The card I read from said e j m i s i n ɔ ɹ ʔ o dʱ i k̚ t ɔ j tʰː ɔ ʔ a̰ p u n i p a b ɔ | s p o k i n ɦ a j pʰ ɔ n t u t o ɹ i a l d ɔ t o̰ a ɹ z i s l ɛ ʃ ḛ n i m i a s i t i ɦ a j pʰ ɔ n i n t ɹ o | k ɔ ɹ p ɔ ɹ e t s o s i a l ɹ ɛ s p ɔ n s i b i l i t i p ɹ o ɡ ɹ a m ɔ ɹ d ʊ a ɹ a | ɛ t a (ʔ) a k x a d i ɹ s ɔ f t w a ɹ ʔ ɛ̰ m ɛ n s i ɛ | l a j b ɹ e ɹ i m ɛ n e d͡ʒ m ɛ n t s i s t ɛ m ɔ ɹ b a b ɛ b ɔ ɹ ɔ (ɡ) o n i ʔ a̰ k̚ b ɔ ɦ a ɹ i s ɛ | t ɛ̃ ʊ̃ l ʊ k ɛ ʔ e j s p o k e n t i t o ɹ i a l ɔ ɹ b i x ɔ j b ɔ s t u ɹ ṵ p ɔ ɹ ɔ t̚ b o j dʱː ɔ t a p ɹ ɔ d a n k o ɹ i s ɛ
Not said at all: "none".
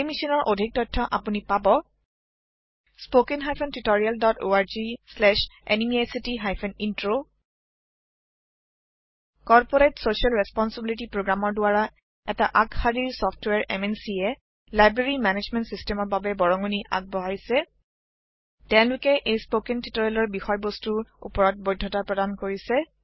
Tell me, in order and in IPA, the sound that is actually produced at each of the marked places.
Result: ʔ, ŋ

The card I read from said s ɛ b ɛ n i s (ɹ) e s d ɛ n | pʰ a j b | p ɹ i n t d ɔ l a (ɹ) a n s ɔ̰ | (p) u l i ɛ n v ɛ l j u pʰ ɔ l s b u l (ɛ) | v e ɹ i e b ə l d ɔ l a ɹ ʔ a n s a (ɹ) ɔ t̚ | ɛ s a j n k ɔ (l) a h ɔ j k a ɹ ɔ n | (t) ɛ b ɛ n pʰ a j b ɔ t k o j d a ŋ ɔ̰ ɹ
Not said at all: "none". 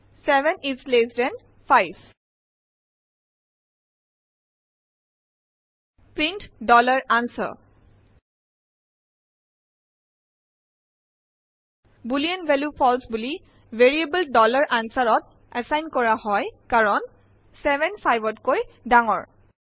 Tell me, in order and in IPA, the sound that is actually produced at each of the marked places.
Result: l, ɹ, b, i, ɹ, ɹ, s

